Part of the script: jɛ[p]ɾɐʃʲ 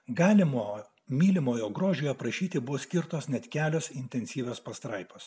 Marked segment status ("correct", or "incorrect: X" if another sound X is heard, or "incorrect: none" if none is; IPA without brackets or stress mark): correct